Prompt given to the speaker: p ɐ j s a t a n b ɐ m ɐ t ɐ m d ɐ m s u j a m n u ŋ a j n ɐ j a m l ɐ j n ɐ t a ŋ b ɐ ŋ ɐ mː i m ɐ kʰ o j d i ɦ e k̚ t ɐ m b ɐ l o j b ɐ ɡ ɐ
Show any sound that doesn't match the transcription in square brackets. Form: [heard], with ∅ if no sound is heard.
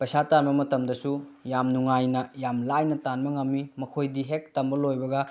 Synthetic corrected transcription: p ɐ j s a t a n b ɐ m ɐ t ɐ m d ɐ [∅] s u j a m n u ŋ a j n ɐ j a m l [a] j n ɐ t a [n] b ɐ ŋ ɐ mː i m ɐ kʰ o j d i ɦ e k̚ t ɐ m b ɐ l o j b ɐ ɡ ɐ